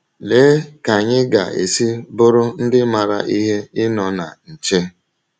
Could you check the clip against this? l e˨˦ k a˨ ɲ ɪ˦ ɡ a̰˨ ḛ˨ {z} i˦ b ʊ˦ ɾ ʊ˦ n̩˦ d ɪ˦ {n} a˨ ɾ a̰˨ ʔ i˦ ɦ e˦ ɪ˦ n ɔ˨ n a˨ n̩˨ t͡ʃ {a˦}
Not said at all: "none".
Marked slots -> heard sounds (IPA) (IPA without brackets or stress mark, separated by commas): s, m, e˦